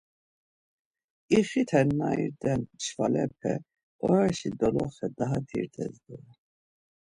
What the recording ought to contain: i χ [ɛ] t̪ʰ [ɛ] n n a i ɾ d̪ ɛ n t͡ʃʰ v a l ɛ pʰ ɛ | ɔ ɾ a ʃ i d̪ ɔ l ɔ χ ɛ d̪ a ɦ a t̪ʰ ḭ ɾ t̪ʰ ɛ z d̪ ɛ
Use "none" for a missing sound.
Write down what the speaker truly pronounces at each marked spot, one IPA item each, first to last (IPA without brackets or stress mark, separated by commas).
i, ɛ